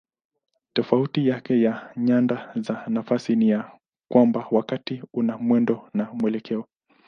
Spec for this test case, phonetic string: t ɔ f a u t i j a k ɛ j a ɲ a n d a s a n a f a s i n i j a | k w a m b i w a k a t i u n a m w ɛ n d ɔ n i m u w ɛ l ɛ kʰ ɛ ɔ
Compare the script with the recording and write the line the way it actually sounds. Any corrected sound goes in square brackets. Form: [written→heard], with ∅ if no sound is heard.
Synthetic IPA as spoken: t ɔ f a u t i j a k ɛ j a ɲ a n d a [s→z] a n a f a s i n i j a | k w a m b [i→a] w a k a t i u n a m w ɛ n d ɔ n [i→a] m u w ɛ l ɛ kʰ ɛ ɔ